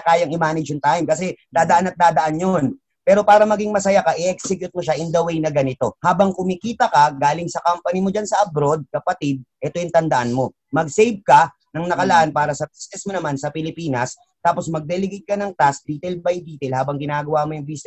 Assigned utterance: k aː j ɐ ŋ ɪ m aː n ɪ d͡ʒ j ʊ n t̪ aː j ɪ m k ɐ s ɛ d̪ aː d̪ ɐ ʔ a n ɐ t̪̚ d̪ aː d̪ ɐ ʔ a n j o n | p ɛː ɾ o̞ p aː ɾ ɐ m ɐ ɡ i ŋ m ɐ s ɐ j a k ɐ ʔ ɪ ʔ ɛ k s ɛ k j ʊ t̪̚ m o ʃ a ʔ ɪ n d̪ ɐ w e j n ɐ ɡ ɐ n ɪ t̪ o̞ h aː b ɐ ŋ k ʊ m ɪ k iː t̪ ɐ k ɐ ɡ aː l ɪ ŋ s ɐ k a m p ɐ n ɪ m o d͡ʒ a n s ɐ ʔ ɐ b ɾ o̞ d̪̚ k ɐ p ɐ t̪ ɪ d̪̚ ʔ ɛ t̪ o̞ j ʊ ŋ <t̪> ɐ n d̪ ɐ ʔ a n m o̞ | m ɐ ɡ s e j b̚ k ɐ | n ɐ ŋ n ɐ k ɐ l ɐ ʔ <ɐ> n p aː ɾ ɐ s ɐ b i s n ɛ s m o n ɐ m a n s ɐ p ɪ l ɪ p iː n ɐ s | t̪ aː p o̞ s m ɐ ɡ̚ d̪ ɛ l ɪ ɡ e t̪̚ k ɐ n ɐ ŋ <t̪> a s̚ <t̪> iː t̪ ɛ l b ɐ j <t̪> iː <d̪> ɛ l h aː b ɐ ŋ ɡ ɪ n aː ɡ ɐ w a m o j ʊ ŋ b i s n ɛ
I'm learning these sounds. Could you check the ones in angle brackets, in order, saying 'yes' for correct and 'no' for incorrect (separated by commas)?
yes, no, yes, no, no, no